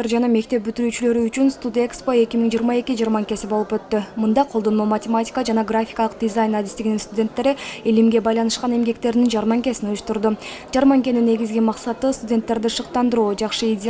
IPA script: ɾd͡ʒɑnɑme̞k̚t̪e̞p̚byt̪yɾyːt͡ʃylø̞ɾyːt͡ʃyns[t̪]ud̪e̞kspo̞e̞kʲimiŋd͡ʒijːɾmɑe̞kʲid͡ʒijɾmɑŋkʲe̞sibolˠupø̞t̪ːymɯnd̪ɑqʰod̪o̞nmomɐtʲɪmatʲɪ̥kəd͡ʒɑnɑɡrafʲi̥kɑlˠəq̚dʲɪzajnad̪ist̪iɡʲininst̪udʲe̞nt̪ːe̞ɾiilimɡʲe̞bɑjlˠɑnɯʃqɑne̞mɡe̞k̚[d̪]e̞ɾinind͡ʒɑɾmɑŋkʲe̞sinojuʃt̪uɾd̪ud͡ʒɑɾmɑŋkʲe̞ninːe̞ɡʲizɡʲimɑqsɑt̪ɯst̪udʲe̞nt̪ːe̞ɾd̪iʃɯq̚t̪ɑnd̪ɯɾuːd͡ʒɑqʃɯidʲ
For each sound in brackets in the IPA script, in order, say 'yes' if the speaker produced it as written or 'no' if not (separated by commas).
yes, no